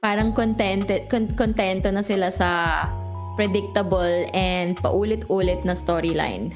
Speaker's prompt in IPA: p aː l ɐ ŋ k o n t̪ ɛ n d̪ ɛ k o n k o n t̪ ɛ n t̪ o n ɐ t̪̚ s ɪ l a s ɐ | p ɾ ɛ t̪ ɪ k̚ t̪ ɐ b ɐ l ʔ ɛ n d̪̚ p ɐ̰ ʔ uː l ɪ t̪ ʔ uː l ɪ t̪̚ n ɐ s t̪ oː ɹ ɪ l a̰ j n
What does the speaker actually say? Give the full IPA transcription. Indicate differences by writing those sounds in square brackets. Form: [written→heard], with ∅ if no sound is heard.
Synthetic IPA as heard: p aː [l→ɾ] ɐ ŋ k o n t̪ ɛ n [d̪→t̪] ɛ k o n k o n t̪ ɛ n t̪ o n ɐ [t̪̚→∅] s ɪ l a s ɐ | p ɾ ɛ [t̪→d̪] ɪ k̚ t̪ ɐ b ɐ l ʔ ɛ n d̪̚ p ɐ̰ ʔ uː l ɪ t̪ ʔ uː l ɪ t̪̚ n ɐ s t̪ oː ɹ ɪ l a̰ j n